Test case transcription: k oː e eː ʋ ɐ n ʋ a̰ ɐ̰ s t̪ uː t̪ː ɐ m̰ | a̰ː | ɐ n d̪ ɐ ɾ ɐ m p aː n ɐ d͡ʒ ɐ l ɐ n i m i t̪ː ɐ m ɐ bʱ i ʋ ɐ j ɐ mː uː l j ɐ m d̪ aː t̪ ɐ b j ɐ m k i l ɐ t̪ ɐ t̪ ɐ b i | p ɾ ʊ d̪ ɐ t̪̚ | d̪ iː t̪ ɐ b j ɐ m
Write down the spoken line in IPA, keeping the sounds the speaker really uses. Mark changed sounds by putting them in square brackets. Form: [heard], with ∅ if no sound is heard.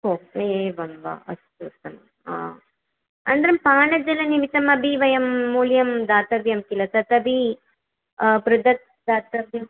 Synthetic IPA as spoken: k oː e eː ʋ ɐ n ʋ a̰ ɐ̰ s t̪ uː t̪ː ɐ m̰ | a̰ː | ɐ n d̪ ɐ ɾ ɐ m p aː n ɐ d͡ʒ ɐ l ɐ n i m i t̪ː ɐ m ɐ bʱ i ʋ ɐ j ɐ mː uː l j ɐ m d̪ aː t̪ ɐ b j ɐ m k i l ɐ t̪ ɐ t̪ ɐ b i | p ɾ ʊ d̪ ɐ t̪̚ | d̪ [aː] t̪ ɐ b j ɐ m